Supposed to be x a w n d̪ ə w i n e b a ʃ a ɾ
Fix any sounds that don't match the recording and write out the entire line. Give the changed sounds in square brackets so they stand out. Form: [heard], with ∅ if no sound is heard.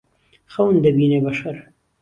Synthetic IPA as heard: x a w n d̪ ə [b] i n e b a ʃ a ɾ